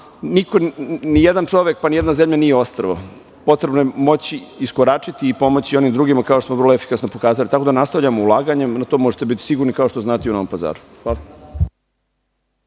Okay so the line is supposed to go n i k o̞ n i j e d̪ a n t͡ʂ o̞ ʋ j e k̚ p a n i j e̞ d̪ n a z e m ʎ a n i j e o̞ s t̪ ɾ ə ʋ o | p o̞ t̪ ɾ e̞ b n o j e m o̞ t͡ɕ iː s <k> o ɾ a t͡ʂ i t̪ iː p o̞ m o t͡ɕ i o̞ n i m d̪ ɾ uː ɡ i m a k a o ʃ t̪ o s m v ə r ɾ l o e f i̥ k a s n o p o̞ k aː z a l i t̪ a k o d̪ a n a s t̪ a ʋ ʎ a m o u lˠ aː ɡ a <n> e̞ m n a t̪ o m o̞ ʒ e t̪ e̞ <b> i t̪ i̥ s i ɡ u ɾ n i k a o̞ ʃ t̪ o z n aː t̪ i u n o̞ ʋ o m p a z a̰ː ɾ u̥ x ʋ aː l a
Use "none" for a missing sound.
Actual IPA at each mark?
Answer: k, ɲ, b

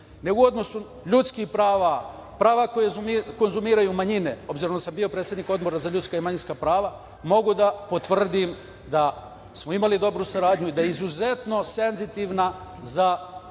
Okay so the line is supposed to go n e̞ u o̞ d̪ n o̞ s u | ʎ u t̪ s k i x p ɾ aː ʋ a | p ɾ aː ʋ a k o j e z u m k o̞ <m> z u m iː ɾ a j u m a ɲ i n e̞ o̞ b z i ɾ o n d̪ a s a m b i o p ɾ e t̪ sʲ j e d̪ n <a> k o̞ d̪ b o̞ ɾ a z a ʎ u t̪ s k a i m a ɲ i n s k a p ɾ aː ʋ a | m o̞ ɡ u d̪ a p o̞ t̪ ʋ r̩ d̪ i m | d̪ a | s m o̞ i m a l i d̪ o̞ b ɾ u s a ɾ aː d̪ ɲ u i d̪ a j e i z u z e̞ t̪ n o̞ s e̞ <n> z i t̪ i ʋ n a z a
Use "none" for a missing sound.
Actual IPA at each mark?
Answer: n, i, n

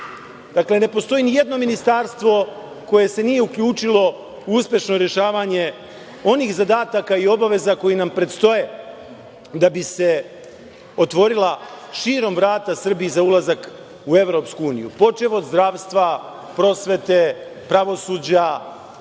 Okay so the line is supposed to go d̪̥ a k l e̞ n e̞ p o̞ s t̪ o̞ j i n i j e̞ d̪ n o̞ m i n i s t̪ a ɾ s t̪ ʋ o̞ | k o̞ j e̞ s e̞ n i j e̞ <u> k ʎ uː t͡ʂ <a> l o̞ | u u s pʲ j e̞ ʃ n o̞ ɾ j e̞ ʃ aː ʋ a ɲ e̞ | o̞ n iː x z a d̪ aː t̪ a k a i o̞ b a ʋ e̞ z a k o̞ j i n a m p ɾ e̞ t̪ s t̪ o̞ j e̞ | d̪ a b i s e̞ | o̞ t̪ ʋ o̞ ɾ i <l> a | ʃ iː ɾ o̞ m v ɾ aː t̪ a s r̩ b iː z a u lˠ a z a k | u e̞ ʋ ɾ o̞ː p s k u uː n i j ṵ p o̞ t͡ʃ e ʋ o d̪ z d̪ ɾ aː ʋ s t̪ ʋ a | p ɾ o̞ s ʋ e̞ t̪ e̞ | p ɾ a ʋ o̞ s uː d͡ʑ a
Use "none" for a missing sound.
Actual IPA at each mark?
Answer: u, i, l

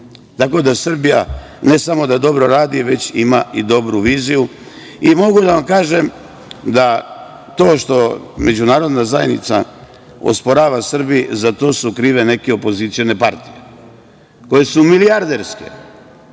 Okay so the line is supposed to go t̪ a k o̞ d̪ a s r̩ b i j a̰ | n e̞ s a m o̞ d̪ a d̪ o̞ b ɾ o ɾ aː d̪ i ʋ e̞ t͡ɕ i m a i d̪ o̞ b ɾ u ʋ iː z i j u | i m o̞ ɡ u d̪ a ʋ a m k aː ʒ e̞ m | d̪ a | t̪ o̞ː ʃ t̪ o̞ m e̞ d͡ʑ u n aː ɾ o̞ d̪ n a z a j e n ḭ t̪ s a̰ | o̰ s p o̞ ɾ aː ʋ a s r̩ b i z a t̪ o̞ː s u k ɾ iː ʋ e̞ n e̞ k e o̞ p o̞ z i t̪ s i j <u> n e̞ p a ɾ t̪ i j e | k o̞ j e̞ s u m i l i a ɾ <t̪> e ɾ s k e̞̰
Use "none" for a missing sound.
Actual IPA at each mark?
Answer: o, d̪

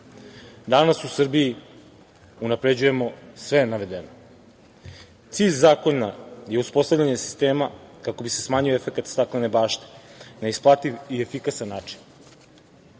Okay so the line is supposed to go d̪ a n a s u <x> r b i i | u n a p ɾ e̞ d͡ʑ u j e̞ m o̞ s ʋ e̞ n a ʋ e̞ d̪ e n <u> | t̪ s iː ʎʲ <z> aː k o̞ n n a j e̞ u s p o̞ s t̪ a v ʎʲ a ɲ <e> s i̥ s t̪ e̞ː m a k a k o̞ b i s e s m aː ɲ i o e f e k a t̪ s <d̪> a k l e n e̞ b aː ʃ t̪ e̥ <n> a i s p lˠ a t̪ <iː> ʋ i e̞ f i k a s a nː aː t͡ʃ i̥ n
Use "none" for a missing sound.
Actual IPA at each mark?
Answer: s, o, z, e, t̪, n, i

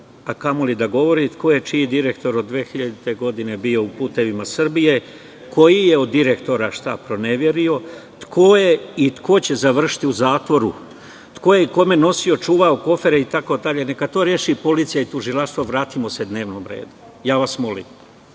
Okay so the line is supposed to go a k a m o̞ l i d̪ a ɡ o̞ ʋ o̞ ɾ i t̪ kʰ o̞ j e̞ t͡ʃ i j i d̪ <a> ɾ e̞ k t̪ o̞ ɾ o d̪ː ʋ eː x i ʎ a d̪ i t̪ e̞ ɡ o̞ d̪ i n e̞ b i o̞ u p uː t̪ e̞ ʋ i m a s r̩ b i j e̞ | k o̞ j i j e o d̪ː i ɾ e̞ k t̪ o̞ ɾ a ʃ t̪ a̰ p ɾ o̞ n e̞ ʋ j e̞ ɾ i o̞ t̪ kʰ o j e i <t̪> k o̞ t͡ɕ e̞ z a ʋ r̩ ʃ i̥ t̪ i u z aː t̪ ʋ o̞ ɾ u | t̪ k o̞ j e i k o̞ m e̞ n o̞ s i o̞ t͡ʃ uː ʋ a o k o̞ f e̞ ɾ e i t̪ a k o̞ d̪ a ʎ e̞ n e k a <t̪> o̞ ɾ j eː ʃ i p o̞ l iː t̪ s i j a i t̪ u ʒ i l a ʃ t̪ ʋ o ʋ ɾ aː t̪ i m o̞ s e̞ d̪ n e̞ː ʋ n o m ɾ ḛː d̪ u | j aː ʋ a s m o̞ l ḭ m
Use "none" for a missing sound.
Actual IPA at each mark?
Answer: i, t̪, t̪

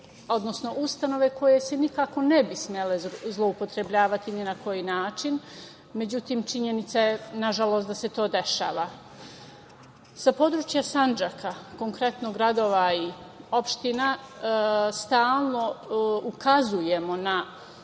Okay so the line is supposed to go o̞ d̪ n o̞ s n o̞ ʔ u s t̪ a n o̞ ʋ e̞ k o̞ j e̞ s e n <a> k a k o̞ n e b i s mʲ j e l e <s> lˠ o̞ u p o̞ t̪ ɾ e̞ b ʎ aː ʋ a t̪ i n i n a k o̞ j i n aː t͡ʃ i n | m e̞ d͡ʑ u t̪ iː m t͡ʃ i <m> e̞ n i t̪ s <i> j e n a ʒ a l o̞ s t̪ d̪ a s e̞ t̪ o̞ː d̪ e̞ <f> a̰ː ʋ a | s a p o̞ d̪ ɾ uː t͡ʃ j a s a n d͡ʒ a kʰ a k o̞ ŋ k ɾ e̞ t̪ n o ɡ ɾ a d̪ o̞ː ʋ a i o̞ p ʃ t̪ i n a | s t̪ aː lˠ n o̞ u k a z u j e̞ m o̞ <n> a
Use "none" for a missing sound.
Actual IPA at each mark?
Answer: i, z, ɲ, a, ʃ, n

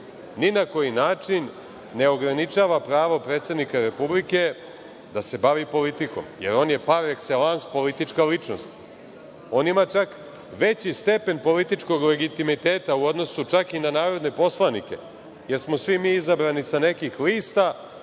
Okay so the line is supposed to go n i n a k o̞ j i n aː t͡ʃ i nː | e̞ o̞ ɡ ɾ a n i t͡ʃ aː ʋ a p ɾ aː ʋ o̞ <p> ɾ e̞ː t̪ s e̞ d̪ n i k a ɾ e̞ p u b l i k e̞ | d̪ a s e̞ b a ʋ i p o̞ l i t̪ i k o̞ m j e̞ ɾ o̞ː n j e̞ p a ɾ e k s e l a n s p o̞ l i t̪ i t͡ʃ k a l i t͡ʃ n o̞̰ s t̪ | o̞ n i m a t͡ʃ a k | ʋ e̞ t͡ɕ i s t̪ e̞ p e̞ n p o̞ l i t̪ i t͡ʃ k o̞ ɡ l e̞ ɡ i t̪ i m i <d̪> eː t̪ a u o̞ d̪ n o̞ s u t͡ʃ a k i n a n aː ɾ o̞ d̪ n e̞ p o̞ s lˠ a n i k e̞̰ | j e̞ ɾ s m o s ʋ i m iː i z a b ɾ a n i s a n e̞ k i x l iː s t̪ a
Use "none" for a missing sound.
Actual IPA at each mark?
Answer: p, t̪

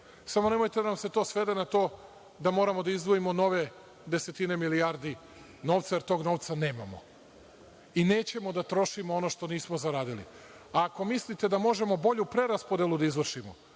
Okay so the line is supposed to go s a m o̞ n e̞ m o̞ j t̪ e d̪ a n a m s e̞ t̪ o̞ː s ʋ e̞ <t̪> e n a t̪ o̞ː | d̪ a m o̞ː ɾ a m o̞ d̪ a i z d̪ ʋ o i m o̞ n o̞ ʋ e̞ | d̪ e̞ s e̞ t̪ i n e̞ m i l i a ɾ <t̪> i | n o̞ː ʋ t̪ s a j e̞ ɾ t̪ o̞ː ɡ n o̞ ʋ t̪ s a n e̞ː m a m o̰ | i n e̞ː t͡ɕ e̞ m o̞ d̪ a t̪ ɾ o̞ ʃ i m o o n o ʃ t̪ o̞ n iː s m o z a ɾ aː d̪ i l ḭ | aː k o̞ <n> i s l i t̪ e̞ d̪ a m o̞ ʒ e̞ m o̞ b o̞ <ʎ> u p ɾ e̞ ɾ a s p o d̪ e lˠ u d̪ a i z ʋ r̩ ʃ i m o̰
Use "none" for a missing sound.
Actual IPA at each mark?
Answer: d̪, d̪, m, ʎ

